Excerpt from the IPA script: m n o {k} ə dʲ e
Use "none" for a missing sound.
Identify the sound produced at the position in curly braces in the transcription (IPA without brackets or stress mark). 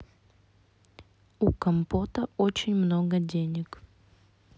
ɡ